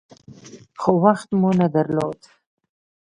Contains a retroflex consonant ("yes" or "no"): no